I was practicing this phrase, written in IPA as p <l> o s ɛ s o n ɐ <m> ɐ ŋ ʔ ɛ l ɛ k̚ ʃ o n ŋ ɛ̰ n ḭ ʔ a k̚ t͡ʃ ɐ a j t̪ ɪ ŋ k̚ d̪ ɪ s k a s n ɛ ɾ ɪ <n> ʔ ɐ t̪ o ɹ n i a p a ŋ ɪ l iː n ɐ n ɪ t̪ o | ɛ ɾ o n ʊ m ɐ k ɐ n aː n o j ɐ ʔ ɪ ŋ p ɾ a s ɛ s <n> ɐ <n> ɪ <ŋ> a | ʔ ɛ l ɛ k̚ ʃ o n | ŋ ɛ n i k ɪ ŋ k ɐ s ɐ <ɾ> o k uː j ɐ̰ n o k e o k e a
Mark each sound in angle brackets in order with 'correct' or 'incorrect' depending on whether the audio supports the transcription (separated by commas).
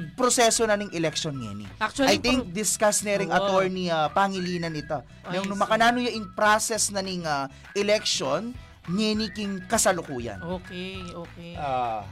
incorrect, incorrect, incorrect, correct, correct, correct, incorrect